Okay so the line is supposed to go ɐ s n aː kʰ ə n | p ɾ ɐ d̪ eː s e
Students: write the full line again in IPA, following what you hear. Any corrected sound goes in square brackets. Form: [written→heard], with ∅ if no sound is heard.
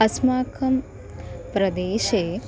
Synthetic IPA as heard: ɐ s [n→m] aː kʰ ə [n→m] | p ɾ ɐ d̪ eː [s→ʃ] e